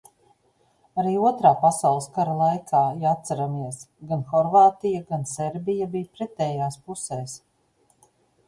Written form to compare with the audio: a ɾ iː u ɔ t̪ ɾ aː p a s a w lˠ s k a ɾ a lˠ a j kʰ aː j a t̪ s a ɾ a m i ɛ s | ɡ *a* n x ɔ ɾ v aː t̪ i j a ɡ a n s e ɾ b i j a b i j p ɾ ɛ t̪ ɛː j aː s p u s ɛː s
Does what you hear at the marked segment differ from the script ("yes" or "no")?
no